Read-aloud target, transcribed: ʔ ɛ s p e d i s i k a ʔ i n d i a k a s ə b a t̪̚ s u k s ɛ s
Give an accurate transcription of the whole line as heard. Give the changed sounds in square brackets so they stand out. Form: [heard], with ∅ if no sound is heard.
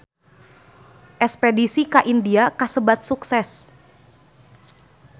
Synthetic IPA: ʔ ɛ s p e d i s i k a ʔ i n d i a k a s ə b a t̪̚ s u k s ɛ s